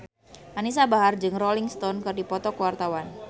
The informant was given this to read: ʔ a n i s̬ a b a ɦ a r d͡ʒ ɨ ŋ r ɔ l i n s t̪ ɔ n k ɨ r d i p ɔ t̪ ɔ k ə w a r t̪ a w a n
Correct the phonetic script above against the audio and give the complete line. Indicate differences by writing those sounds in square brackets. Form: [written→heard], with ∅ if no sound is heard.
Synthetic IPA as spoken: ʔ a n i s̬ a b a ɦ a r d͡ʒ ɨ ŋ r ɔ l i [n→ŋ] s t̪ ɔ n k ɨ r d i p ɔ t̪ ɔ k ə w a r t̪ a w a n